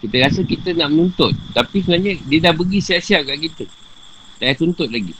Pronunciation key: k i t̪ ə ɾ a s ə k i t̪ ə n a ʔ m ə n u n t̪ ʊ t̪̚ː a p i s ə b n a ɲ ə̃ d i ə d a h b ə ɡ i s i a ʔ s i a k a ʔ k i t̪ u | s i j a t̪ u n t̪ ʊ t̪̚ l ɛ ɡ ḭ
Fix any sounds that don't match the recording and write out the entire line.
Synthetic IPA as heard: k i t̪ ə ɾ a s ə k i t̪ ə n a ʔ m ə n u n t̪ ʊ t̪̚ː a p i s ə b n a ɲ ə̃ d i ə d a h b ə ɡ i s i a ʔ s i a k a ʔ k i t̪ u | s a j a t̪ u n t̪ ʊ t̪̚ l a ɡ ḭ